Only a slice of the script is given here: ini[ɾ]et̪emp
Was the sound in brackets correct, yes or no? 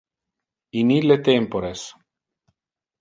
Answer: no